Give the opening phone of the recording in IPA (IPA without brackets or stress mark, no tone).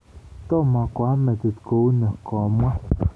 t̪